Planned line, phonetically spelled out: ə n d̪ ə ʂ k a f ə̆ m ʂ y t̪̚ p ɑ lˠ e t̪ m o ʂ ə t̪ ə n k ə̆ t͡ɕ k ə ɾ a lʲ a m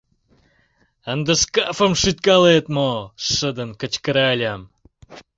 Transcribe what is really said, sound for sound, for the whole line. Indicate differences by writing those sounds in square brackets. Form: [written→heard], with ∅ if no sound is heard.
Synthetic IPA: ə n d̪ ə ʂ k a f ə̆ m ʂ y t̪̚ [p→k] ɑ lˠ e t̪ m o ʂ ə [t̪→d̪] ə n k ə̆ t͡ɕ k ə ɾ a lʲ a m